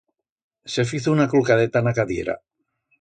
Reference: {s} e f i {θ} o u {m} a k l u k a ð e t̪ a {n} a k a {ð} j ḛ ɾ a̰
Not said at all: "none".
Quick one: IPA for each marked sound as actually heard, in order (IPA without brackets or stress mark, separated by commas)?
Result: s, θ, n, n, ð